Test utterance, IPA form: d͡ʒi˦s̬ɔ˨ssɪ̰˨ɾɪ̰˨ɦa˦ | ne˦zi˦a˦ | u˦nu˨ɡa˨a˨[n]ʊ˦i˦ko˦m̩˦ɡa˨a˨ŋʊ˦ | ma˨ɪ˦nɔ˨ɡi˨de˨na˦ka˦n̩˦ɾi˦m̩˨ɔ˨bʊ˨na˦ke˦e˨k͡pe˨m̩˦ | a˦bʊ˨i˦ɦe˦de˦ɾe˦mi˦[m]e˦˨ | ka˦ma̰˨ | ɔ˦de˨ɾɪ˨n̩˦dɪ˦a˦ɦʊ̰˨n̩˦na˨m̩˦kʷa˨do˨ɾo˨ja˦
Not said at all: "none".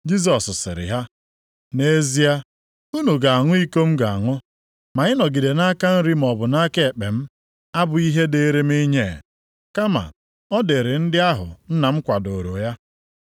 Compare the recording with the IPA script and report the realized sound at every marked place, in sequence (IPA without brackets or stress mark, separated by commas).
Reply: ŋ, ɲ